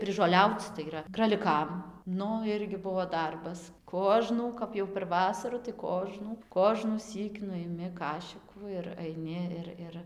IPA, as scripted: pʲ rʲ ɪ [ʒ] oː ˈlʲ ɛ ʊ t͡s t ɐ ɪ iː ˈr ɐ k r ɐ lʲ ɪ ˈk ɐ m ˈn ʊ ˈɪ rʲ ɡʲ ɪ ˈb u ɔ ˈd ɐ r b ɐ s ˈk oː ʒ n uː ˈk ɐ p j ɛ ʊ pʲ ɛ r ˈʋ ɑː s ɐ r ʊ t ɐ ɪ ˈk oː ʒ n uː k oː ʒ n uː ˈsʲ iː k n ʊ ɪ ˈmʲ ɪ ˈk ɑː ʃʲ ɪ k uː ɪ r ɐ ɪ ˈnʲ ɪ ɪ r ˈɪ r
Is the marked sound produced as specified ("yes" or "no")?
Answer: yes